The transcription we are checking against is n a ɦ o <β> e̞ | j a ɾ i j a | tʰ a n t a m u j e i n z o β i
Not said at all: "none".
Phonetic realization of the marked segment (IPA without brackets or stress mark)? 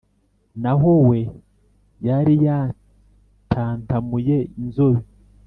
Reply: w